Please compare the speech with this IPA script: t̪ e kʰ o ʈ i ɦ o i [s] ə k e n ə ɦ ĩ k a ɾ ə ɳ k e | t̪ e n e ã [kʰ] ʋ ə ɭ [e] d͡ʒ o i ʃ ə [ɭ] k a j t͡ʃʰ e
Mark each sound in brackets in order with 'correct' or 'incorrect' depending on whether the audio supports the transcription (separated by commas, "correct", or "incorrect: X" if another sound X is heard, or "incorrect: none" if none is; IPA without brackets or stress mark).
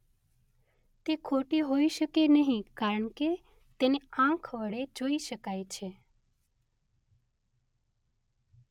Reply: incorrect: ʃ, correct, correct, incorrect: none